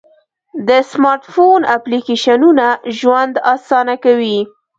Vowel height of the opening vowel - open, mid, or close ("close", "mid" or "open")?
mid